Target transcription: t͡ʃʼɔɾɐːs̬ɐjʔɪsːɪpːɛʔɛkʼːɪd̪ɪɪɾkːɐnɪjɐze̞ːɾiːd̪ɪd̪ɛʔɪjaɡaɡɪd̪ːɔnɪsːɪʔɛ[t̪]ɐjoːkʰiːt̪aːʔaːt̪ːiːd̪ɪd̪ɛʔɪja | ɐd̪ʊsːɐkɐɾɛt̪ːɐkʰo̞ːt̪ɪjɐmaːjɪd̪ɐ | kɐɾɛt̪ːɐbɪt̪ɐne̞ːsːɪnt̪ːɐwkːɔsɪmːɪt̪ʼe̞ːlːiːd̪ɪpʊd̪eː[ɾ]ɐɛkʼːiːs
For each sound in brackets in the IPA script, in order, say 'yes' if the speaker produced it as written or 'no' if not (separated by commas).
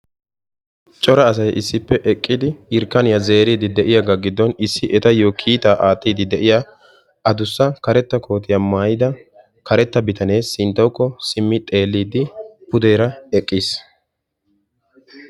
yes, yes